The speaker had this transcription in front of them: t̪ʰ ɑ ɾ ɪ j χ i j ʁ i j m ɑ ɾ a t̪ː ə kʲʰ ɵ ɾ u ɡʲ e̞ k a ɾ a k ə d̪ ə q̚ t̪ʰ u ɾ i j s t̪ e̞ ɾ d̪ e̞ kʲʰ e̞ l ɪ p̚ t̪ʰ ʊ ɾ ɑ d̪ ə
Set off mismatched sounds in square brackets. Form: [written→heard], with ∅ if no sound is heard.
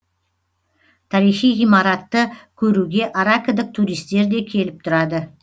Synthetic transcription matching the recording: t̪ʰ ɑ ɾ [ɪ→i] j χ i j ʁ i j m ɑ ɾ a t̪ː ə kʲʰ ɵ ɾ u ɡʲ e̞ [k→ʔ] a ɾ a k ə d̪ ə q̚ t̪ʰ u ɾ i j s t̪ e̞ ɾ d̪ e̞ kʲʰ e̞ l ɪ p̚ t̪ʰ ʊ ɾ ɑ d̪ ə